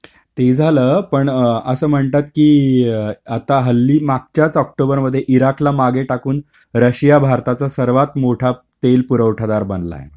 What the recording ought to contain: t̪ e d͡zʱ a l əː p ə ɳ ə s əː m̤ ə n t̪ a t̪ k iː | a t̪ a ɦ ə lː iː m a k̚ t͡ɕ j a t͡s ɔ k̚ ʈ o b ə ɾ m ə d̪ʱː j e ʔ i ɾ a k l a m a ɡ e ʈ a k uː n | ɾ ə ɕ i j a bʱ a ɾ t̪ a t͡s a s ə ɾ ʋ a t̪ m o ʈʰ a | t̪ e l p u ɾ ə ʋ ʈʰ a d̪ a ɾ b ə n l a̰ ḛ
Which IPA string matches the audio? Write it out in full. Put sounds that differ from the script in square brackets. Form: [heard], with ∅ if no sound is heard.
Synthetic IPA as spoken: t̪ e d͡zʱ a l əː p ə ɳ ə s əː m̤ ə [ɳ] t̪ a t̪ k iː | a t̪ a ɦ ə lː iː m a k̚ t͡ɕ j a t͡s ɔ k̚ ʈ o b ə ɾ m ə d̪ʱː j e ʔ i ɾ a k l a m a ɡ e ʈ a k uː n | ɾ ə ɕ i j a bʱ a ɾ t̪ a t͡s a s ə ɾ ʋ a t̪ m o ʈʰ a | t̪ e l p u ɾ ə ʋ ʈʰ a d̪ a ɾ b ə n l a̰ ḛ